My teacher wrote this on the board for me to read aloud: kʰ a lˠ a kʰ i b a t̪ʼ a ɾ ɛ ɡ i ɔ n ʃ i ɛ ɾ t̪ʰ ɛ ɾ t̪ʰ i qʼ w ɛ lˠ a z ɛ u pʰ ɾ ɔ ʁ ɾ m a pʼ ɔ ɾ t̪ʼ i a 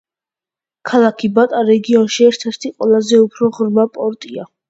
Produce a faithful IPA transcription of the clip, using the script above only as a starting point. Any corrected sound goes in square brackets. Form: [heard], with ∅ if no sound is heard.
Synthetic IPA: kʰ a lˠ a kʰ i b a t̪ʼ a ɾ ɛ ɡ i ɔ n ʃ i ɛ ɾ t̪ʰ ɛ ɾ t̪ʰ i qʼ w ɛ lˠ a z ɛ u pʰ ɾ ɔ ʁ ɾ m a pʼ ɔ ɾ t̪ʼ i a